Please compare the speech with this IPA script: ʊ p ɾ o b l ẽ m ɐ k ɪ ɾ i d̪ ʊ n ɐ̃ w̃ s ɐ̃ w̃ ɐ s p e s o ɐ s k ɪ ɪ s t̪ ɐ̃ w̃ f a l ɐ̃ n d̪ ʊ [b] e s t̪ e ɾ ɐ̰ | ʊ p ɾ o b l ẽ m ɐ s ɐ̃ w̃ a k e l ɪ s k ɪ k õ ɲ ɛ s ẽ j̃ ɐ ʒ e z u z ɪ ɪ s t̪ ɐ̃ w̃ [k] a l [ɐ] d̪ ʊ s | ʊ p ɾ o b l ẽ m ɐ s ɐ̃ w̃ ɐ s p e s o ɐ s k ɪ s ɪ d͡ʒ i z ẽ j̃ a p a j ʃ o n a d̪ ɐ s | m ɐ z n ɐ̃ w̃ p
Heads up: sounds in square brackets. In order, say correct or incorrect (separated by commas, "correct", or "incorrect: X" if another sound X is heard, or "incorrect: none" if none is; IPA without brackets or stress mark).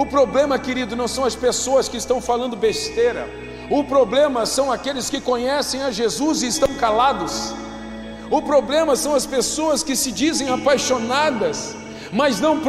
correct, correct, incorrect: a